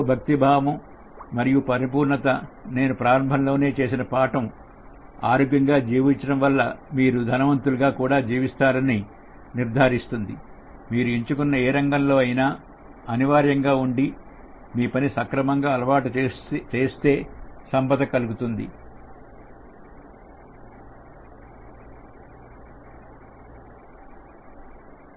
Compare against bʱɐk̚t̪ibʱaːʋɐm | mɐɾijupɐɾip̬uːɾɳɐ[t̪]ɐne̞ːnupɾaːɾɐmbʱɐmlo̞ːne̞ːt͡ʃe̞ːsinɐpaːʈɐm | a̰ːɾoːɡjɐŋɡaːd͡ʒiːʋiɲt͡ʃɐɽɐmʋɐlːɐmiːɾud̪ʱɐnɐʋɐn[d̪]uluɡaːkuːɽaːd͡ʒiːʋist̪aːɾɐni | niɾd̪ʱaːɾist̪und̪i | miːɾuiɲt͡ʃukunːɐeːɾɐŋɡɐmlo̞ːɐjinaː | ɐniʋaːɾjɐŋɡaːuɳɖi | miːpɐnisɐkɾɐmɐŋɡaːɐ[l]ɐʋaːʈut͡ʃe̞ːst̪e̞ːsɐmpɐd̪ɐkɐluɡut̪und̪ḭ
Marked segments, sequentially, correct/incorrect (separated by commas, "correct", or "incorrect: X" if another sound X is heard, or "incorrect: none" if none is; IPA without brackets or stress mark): correct, incorrect: t̪, correct